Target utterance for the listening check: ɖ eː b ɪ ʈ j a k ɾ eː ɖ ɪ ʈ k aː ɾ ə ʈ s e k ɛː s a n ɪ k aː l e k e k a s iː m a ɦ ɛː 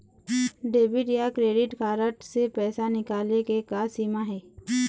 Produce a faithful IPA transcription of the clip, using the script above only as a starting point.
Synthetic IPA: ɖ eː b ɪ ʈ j a k ɾ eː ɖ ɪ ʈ k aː ɾ ə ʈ s e p ɛː s a n ɪ k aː l e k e k a s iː m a ɦ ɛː